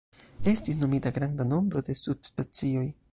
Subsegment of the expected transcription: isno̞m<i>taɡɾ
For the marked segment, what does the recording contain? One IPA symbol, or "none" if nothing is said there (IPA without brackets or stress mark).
i